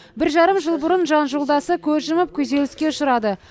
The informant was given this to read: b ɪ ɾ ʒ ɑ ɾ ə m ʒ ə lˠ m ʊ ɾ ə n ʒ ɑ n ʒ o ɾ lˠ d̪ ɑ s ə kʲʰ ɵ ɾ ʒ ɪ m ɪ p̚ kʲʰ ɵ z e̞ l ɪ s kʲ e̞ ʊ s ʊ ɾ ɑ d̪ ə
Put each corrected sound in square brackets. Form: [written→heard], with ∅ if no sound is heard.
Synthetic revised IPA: b ɪ ɾ ʒ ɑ ɾ ə m ʒ ə lˠ [m→b] ʊ ɾ ə n ʒ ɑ n ʒ o [ɾ→∅] lˠ d̪ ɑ s ə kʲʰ ɵ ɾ ʒ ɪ m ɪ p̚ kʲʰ ɵ z e̞ l ɪ s kʲ e̞ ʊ [s→ʃ] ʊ ɾ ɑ d̪ ə